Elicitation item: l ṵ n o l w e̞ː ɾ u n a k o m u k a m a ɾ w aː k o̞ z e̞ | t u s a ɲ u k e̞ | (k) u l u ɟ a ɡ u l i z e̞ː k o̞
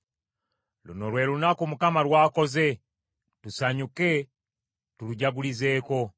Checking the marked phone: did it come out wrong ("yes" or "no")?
yes